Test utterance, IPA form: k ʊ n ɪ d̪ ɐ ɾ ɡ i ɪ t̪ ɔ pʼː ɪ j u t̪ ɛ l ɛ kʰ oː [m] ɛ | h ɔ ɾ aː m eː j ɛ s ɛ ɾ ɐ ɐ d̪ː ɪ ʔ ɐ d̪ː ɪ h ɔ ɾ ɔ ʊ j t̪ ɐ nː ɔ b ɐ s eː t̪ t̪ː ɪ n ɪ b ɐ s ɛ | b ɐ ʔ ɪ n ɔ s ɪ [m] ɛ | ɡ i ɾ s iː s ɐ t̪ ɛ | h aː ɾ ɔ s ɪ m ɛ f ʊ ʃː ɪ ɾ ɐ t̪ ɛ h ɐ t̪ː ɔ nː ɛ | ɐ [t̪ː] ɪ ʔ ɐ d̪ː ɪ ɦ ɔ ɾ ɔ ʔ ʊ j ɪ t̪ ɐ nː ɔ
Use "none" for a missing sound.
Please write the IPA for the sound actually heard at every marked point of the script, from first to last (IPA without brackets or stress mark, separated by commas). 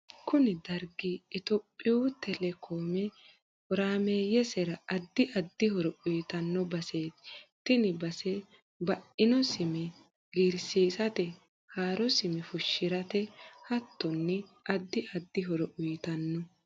m, m, d̪ː